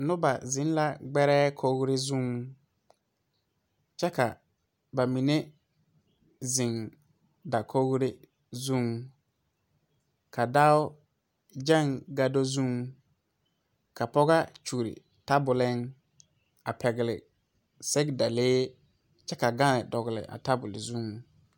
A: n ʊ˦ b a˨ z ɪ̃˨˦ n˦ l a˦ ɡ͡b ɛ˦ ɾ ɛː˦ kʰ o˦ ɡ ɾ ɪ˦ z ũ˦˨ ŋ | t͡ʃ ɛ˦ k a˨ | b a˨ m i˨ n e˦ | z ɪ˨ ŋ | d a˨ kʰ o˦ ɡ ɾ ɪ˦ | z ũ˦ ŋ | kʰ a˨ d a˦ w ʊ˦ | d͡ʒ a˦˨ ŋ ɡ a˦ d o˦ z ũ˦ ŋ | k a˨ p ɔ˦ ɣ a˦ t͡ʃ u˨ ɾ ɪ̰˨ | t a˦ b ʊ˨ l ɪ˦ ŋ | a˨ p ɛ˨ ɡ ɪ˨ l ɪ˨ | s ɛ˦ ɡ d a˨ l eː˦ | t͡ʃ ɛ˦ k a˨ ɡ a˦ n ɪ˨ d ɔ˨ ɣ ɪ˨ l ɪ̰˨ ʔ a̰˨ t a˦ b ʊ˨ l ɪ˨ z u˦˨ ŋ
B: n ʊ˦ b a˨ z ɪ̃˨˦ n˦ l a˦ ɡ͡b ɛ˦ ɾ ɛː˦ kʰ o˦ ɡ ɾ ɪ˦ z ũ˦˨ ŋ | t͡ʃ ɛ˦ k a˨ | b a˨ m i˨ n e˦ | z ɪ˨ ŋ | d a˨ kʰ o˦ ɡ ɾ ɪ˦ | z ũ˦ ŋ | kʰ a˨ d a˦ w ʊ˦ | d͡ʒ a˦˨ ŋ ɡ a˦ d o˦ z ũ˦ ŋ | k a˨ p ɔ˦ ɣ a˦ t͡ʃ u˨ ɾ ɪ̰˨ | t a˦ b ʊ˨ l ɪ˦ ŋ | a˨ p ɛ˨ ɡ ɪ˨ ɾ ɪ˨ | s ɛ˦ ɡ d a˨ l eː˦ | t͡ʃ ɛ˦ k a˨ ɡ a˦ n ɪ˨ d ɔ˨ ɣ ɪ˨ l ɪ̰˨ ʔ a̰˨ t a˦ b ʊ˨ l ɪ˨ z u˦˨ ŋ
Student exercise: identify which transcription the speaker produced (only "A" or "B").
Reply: A